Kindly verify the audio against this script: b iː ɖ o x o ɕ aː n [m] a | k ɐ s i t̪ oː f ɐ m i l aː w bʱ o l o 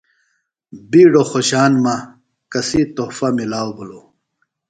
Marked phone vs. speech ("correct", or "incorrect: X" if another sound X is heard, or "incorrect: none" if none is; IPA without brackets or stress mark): correct